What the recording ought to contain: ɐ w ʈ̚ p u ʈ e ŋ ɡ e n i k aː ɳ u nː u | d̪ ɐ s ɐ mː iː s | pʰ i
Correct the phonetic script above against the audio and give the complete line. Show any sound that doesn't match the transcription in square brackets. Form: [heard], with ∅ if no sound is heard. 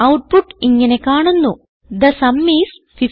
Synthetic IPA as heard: ɐ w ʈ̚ p u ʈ [i] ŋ ɡ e n [e] k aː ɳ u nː u | d̪ ɐ s ɐ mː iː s | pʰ i